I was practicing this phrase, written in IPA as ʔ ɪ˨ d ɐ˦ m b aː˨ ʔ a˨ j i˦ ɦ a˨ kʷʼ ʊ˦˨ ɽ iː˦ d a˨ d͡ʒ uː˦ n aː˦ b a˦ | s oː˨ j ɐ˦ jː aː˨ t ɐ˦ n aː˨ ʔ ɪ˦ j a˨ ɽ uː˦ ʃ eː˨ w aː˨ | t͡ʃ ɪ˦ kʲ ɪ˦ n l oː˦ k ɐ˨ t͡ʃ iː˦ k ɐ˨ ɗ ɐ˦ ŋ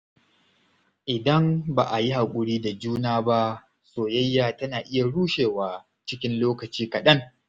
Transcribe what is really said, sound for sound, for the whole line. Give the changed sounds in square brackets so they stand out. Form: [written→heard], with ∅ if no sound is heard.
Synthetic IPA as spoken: ʔ ɪ˨ d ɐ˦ m b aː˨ ʔ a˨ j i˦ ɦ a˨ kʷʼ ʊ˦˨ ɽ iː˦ d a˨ d͡ʒ uː˦ n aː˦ b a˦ | s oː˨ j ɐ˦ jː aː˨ t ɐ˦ n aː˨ ʔ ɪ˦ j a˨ ɽ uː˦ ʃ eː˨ w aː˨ | t͡ʃ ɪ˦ kʲ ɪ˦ n l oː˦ k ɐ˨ t͡ʃ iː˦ k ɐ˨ ɗ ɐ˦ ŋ